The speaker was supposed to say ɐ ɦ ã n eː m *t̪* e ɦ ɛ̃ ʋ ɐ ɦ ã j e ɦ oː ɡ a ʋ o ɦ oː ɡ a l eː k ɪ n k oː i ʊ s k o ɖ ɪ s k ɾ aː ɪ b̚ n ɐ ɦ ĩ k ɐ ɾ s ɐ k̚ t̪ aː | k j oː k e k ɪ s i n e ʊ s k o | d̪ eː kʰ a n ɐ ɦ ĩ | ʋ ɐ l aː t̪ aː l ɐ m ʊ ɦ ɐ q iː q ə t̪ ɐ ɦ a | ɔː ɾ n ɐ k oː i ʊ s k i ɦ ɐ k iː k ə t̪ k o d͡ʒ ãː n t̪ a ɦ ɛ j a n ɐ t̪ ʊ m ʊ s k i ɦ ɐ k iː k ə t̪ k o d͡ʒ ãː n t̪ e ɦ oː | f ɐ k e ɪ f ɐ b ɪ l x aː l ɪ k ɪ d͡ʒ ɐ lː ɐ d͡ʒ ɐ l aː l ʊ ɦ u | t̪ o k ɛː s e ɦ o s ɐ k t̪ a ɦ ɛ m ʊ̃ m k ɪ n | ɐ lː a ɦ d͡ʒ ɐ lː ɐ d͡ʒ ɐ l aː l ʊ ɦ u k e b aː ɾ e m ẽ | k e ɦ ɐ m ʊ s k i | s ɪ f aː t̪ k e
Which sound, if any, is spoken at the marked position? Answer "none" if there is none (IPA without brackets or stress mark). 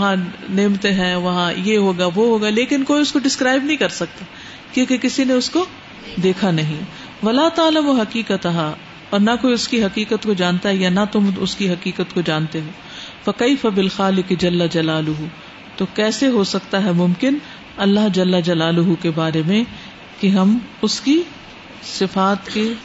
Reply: t̪